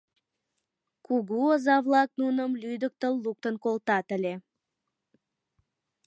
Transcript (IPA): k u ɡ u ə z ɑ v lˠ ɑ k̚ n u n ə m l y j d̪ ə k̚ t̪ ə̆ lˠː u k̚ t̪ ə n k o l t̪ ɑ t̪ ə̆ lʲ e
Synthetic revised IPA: k u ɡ u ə z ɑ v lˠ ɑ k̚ n u n ə m l y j d̪ ə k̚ t̪ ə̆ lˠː u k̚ t̪ ə n k o l t̪ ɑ t̪ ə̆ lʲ e